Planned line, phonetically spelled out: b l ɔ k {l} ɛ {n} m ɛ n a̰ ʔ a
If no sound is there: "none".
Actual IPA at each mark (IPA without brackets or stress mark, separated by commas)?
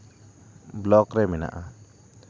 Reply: ɾ, none